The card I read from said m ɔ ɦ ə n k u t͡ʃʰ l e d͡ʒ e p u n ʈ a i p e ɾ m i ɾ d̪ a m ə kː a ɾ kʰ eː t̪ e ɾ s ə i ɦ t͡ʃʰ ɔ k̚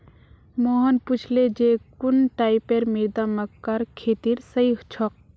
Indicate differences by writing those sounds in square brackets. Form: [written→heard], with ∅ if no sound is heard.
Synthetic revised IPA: m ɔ ɦ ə n [k→p] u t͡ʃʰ l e d͡ʒ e [p→k] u n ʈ a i p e ɾ m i ɾ d̪ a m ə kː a ɾ kʰ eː t̪ [e→i] ɾ s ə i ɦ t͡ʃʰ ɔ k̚